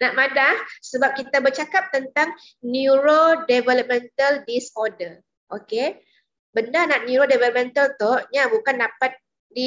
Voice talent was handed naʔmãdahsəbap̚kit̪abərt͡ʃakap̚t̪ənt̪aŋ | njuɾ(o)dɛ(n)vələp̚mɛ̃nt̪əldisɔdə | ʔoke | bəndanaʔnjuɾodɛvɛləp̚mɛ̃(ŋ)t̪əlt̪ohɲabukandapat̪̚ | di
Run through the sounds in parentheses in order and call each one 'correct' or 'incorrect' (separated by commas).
correct, incorrect, incorrect